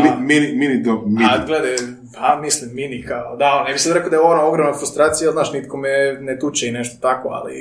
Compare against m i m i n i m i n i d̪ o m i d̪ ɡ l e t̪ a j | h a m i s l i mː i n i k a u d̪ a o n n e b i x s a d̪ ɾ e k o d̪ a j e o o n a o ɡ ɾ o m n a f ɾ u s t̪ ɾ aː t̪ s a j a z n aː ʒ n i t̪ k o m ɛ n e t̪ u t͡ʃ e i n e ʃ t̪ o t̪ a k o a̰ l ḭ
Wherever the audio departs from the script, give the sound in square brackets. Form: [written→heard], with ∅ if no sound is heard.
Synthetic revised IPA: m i m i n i m i n i d̪ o m i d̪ ɡ l e [t̪→d̪] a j | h a m i s l i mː i n i k a [u→o] d̪ a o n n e b i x s a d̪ ɾ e k o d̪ a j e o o n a o ɡ ɾ o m n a f ɾ u s t̪ ɾ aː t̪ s [a→i] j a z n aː [ʒ→ʃ] n i t̪ k o m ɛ n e t̪ u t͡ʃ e i n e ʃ t̪ o t̪ a k o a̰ l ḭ